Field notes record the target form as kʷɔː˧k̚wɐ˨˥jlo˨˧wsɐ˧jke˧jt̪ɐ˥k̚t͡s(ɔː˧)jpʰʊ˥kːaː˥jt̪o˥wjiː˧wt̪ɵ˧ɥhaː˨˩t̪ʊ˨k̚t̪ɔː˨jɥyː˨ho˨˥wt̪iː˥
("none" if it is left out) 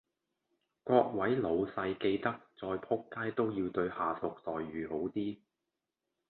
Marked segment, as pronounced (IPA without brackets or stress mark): ɔː˧